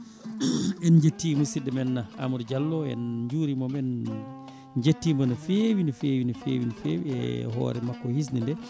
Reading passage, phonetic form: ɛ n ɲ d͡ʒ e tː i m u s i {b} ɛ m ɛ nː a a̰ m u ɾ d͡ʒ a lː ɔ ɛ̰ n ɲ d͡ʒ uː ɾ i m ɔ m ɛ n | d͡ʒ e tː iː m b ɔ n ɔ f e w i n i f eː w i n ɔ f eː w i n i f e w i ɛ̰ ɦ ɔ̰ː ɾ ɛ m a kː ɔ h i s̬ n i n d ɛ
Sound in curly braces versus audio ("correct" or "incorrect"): incorrect